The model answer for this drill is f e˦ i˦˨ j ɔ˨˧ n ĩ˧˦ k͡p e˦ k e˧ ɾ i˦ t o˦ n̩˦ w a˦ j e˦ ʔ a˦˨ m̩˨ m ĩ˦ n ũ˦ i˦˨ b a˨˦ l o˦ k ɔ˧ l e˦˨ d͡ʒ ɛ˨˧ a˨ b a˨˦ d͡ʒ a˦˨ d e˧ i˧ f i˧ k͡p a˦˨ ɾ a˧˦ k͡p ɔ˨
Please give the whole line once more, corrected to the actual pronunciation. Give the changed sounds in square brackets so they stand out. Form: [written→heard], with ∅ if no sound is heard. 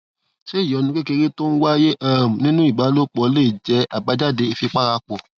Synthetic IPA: [f→ʃ] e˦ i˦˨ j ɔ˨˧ n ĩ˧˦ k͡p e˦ k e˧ ɾ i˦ t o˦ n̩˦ w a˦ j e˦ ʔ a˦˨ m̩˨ [m→n] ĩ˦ n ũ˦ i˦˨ b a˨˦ l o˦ [k→k͡p] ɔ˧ l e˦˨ d͡ʒ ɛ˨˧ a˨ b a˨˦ d͡ʒ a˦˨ d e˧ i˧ f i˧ k͡p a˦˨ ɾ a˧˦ k͡p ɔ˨